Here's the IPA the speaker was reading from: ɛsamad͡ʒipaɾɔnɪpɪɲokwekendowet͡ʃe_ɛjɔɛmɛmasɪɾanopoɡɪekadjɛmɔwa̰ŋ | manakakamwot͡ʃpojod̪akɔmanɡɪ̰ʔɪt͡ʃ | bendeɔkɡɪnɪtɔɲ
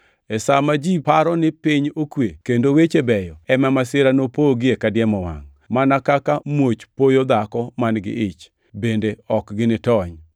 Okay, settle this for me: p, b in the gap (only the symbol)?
b